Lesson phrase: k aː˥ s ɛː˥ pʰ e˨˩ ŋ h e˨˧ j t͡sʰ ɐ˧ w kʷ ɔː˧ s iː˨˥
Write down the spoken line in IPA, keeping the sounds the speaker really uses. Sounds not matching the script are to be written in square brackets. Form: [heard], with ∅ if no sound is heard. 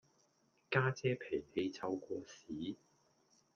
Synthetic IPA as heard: k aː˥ [t͡s] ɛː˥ pʰ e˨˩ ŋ h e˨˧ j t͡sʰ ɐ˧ w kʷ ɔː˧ s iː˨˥